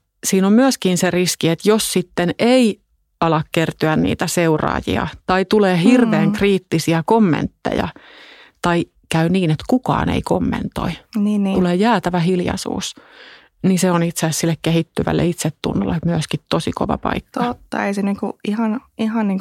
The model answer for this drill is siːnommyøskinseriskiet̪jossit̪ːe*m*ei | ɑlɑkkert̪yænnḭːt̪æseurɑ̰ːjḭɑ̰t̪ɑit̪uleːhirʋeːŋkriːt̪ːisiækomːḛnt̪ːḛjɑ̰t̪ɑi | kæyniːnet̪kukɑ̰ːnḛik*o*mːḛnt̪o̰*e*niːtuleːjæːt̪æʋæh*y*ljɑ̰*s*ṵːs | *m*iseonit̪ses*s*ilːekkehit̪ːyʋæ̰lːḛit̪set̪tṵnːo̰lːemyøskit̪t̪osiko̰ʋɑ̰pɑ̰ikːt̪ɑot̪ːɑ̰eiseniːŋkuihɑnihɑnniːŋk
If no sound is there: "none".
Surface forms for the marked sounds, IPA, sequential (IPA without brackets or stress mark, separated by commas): n, o, i, i, s, n, s